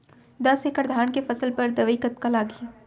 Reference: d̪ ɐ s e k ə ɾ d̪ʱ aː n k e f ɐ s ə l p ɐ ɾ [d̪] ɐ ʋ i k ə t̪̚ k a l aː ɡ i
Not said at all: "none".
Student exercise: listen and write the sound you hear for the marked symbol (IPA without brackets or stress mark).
d̪